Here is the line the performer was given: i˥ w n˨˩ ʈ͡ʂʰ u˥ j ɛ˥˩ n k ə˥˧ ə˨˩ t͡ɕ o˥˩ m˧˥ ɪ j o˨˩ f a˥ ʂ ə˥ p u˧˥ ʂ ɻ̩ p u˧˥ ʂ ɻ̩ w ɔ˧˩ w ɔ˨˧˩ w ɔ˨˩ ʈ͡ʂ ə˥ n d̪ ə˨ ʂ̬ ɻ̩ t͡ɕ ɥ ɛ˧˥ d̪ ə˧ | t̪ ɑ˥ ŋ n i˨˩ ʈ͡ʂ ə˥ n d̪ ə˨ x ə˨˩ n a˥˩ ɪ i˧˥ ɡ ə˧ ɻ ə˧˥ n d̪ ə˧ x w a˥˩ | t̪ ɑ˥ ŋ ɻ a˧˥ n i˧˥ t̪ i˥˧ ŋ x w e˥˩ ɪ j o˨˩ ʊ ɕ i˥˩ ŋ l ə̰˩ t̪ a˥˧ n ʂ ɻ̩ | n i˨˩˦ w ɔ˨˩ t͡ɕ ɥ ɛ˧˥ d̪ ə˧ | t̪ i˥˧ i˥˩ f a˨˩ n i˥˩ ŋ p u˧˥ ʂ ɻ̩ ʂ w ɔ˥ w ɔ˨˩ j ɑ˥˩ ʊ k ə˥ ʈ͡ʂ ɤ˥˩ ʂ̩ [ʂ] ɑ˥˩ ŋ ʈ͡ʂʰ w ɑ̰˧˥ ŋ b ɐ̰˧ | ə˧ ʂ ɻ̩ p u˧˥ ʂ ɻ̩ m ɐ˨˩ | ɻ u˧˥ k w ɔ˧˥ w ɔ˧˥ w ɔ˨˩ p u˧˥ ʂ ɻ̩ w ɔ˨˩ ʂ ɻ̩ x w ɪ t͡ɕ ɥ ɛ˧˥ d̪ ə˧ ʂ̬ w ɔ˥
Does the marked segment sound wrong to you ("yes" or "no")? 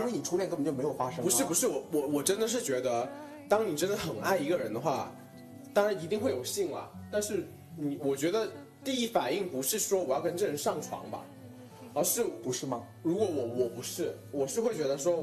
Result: no